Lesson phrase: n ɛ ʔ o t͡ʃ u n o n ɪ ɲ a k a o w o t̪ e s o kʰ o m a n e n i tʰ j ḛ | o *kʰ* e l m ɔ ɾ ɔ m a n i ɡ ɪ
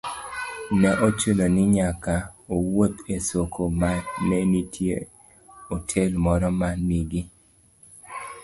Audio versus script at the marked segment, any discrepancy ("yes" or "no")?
yes